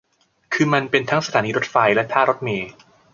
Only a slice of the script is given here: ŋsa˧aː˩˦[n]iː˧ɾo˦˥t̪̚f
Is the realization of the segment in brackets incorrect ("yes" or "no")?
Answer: no